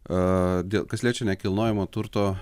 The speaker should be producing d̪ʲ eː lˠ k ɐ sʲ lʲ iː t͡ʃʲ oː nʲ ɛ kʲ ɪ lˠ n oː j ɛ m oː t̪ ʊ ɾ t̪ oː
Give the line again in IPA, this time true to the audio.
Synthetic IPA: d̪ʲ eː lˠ k ɐ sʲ lʲ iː t͡ʃʲ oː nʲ ɛ kʲ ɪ lˠ n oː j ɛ m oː t̪ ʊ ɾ t̪ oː